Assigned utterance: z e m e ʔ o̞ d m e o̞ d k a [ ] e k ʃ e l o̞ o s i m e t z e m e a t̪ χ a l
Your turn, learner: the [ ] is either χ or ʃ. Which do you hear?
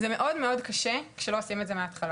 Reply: ʃ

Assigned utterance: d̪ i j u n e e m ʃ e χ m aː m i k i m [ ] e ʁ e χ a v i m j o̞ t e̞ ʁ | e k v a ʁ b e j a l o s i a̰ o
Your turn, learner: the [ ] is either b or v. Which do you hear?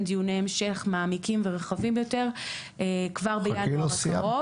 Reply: v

